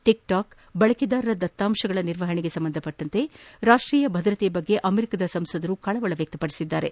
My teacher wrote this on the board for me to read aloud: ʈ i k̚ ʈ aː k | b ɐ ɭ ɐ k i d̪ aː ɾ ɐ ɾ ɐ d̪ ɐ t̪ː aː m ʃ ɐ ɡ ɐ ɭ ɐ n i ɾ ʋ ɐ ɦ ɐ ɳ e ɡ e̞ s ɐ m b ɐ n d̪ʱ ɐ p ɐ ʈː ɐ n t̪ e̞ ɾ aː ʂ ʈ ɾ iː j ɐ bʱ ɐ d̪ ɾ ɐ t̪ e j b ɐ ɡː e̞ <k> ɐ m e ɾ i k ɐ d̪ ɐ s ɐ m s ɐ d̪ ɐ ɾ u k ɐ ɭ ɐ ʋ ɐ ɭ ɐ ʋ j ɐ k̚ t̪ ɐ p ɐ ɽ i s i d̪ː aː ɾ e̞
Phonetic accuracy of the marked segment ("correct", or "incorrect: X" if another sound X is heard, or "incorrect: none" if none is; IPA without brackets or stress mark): incorrect: ʔ